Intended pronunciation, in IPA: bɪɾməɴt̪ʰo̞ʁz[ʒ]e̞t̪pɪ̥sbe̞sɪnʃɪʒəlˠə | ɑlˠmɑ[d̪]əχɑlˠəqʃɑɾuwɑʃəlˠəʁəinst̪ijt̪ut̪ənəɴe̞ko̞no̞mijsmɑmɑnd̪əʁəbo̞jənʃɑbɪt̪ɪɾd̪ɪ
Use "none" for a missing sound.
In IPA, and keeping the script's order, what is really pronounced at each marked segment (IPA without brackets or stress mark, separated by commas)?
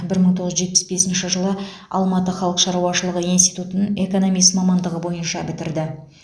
ʒ, t̪